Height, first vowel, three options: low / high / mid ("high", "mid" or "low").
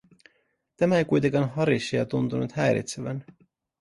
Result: low